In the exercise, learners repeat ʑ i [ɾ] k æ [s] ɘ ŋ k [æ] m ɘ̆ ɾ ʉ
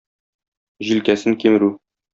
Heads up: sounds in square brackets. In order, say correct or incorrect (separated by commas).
incorrect, correct, incorrect